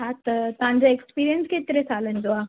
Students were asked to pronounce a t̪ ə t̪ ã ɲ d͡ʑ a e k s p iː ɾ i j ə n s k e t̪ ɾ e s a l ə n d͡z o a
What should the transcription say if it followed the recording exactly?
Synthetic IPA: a t̪ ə t̪ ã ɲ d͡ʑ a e k s p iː ɾ i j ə n s k e t̪ ɾ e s a l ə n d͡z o a

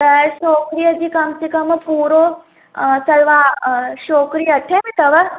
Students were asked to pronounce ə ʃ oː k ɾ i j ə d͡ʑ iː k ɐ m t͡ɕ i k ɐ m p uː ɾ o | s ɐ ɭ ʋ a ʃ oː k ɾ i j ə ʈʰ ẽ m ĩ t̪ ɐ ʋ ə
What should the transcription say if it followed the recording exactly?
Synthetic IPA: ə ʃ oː k ɾ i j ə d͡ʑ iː k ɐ m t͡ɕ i k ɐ m p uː ɾ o | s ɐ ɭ ʋ a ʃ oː k ɾ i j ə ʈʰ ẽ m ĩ t̪ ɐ ʋ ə

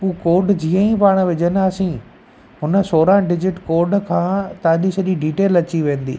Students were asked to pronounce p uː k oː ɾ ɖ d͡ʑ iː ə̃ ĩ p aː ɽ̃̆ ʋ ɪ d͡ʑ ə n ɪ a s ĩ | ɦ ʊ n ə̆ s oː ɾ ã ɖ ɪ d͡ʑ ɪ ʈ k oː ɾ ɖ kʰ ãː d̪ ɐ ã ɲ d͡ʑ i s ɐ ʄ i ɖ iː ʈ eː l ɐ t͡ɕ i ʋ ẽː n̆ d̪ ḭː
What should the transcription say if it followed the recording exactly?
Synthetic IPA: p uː k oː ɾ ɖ d͡ʑ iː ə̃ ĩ p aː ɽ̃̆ ʋ ɪ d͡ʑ ə n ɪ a s ĩ | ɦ ʊ n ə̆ s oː ɾ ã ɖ ɪ d͡ʑ ɪ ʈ k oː ɾ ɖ kʰ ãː t̪ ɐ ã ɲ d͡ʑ i s ɐ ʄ i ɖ iː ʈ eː l ɐ t͡ɕ i ʋ ẽː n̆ d̪ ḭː

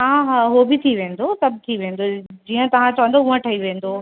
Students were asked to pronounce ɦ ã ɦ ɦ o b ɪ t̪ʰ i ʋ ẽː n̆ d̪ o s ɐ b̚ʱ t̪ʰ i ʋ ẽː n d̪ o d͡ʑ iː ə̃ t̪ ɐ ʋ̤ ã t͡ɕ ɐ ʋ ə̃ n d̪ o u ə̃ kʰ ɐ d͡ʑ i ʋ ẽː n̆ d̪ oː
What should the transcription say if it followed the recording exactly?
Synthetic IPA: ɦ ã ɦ ɦ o b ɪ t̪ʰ i ʋ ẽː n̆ d̪ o s ɐ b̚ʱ t̪ʰ i ʋ ẽː n d̪ o d͡ʑ iː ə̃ t̪ ɐ ʋ̤ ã t͡ɕ ɐ ʋ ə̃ n d̪ o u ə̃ ʈʰ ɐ i ʋ ẽː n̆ d̪ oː

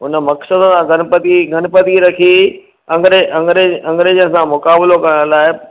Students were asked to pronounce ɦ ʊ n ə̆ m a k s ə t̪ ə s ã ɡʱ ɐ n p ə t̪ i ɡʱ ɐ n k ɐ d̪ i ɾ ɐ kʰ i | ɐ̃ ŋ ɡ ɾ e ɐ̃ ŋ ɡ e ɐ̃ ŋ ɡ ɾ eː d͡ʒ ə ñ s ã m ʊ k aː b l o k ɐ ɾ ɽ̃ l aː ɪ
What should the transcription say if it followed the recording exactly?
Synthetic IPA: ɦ ʊ n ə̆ m ɐ k s ə d̪ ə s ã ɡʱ ɐ n p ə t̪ i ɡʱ ɐ n p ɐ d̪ i ɾ ɐ kʰ i | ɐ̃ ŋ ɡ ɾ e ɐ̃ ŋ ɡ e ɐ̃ ŋ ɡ ɾ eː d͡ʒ ə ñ s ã m ʊ k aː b l o k ɐ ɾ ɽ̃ l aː ɪ

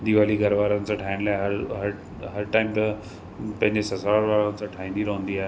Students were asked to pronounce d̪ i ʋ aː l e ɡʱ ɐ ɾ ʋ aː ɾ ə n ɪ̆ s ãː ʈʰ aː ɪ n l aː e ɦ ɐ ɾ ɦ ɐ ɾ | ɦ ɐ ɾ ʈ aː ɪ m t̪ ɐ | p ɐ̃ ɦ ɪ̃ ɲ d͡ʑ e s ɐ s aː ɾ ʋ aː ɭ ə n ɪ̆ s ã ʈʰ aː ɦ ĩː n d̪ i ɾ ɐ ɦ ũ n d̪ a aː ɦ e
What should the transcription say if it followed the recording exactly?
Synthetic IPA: d̪ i ʋ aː l i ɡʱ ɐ ɾ ʋ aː ɾ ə n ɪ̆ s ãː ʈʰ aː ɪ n l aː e ɦ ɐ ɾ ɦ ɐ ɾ | ɦ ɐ ɾ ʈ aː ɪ m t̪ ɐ | p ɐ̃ ɦ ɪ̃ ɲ d͡ʑ e s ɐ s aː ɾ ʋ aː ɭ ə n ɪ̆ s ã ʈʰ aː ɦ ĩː n d̪ i ɾ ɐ ɦ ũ n d̪ i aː ɦ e

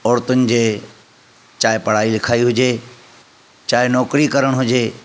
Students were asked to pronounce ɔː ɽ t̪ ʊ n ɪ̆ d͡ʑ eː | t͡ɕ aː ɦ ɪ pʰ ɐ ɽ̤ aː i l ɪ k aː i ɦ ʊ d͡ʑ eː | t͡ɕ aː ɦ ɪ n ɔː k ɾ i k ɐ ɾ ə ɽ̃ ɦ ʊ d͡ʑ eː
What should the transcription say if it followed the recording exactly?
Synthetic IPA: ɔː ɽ t̪ ʊ n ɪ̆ d͡ʑ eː | t͡ɕ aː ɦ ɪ p ɐ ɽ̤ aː i l ɪ kʰ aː i ɦ ʊ d͡ʑ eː | t͡ɕ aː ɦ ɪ n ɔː k ɾ i k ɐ ɾ ə ɽ̃ ɦ ʊ d͡ʑ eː

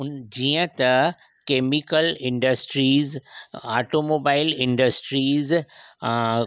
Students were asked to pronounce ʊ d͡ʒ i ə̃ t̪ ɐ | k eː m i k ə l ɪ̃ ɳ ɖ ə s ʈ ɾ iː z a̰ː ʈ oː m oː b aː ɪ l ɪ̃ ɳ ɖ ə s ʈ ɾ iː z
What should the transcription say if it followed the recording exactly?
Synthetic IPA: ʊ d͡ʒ i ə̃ t̪ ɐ | k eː m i k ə l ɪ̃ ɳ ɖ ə s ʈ ɾ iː z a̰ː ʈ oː m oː b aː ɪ l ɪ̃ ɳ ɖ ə s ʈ ɾ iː z

